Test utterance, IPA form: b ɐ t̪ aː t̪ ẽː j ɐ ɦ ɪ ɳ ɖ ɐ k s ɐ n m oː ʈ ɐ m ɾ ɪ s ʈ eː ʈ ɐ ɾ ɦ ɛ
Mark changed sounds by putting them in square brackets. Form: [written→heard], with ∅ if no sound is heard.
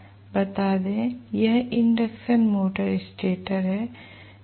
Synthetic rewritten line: b ɐ t̪ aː [t̪→d̪] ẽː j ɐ ɦ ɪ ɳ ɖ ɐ k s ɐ n m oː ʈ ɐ [m→∅] ɾ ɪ s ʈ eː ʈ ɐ ɾ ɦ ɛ